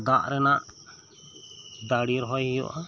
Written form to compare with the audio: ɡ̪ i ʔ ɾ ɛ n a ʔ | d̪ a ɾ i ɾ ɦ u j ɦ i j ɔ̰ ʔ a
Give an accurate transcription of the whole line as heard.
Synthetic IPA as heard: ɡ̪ a ʔ ɾ ɛ n a ʔ | d̪ a ɽ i ɾ ɦ ɔ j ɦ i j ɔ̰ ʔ a